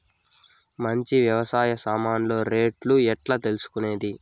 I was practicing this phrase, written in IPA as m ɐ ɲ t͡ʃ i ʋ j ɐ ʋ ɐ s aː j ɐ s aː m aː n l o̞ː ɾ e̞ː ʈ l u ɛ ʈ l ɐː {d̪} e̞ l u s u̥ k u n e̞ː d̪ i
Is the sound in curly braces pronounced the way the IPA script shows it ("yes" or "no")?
no